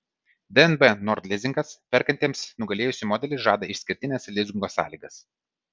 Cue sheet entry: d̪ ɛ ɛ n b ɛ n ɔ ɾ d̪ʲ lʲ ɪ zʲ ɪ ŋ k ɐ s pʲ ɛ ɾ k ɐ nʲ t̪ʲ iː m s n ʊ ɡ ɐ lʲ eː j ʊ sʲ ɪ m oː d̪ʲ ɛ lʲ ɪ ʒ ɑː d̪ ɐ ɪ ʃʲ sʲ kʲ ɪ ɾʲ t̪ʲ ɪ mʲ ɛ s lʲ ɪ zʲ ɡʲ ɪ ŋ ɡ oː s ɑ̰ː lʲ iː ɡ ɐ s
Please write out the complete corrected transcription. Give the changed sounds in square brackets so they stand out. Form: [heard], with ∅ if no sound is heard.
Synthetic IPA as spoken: d̪ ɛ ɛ n b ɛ n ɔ ɾ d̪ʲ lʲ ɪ zʲ ɪ ŋ k ɐ s pʲ ɛ ɾ k ɐ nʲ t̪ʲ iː m s n ʊ ɡ ɐ lʲ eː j ʊ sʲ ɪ m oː d̪ʲ ɛ lʲ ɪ ʒ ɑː d̪ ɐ ɪ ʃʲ sʲ kʲ ɪ ɾʲ t̪ʲ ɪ [nʲ] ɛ s lʲ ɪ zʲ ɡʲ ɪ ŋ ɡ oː s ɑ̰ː lʲ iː ɡ ɐ s